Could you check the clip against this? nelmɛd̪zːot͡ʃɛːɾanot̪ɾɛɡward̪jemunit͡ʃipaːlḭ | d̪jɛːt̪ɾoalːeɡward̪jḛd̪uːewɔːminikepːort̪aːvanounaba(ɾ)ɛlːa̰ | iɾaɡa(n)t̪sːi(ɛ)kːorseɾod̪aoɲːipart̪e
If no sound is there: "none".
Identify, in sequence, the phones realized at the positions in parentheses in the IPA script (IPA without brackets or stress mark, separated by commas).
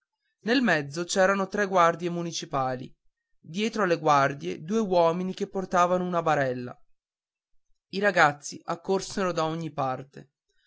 ɾ, none, a